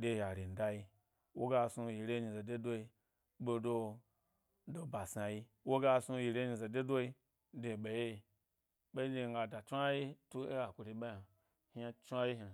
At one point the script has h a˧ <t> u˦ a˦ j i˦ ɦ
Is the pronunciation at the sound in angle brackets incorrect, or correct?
incorrect